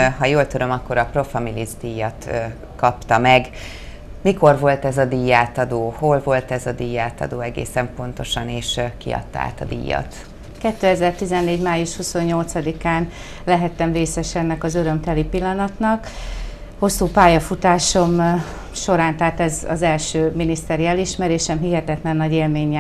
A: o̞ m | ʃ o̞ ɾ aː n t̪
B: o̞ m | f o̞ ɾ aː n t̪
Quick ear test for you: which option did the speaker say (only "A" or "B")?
A